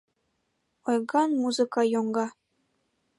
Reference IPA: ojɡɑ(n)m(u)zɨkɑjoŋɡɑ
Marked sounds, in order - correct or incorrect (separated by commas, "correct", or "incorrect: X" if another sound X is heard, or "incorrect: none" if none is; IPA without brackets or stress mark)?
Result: correct, correct